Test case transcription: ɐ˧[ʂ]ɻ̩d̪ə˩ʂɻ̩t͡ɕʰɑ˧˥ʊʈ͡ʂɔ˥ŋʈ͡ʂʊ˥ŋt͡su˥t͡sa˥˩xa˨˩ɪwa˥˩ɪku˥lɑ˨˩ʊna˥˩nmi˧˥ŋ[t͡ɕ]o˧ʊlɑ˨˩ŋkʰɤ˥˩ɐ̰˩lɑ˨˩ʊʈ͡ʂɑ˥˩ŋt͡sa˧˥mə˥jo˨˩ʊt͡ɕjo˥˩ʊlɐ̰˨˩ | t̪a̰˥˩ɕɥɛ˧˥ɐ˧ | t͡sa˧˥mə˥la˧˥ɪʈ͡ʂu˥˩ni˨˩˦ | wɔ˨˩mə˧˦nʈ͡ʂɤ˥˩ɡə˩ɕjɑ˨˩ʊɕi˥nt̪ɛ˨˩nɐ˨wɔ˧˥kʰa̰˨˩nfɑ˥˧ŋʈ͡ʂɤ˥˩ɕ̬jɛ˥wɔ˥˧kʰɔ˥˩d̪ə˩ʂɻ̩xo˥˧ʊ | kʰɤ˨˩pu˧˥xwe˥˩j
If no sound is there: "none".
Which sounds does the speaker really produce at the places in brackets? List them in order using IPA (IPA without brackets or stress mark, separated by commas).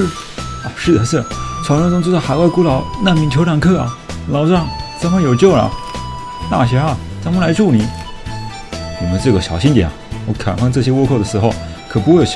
ʂ, t͡ɕʰ